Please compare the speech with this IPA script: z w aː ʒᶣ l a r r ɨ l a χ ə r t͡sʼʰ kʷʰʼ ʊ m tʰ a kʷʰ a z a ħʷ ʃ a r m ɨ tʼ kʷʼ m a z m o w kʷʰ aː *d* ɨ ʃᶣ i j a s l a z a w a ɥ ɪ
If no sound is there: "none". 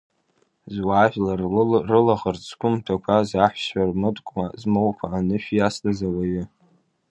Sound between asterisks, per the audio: n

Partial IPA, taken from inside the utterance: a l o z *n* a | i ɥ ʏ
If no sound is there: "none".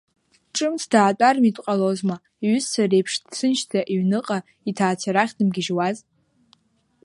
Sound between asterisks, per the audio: m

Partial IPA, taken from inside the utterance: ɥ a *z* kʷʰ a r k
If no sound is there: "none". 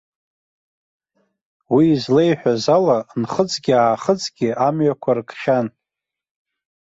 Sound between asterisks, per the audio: none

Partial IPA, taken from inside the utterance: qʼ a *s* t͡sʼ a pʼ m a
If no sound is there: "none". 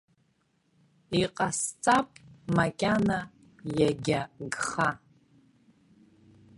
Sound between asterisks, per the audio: s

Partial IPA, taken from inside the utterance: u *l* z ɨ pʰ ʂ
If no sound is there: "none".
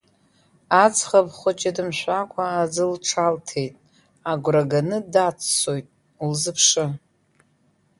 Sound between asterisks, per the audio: l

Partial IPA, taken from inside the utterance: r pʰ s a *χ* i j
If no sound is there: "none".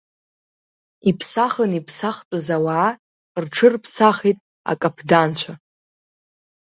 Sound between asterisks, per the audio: χ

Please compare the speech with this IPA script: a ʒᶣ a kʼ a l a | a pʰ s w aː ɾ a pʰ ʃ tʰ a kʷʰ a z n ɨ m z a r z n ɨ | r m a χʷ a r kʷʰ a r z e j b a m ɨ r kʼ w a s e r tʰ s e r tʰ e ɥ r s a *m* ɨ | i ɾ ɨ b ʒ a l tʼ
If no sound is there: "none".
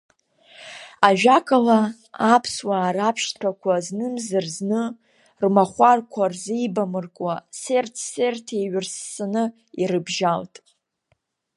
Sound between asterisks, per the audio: n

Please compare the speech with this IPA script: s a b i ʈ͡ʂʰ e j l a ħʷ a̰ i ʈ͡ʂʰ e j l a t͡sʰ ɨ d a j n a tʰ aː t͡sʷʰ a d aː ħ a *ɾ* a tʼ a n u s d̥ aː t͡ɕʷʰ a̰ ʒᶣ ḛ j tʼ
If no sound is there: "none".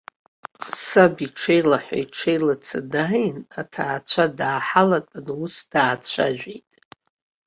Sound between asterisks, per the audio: l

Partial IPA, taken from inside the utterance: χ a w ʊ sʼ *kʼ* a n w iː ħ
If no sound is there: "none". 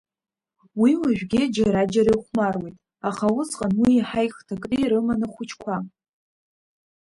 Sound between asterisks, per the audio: qʼ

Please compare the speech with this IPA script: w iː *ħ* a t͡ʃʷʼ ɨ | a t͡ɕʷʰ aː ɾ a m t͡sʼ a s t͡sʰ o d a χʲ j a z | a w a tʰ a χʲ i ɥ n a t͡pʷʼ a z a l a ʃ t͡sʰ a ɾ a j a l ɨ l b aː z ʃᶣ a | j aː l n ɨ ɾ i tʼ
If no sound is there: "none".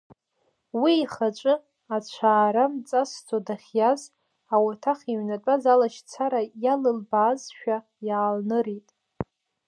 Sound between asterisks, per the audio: χ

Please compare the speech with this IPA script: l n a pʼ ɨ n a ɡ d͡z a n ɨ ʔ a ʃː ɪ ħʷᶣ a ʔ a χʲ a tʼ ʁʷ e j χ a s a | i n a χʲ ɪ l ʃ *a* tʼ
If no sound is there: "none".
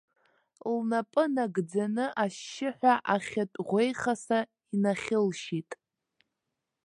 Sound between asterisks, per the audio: i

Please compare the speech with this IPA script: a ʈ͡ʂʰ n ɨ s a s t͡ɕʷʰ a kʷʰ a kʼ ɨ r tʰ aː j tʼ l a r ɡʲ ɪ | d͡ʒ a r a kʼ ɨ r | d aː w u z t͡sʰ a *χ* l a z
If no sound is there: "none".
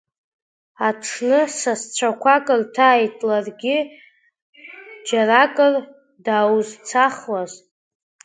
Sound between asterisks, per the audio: χ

